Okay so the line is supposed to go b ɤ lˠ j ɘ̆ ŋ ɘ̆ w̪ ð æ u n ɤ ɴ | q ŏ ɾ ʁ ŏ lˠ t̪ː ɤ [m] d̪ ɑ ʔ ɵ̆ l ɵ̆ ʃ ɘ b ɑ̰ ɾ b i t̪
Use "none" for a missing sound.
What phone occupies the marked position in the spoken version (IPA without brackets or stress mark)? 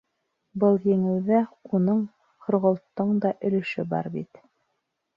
ɴ